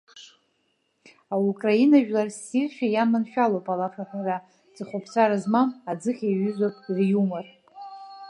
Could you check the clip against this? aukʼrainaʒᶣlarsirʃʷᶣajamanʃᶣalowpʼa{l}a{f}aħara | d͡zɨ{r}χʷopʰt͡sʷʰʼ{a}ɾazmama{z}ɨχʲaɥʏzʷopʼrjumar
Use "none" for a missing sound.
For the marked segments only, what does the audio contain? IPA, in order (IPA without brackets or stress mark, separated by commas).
l, f, none, a, d͡z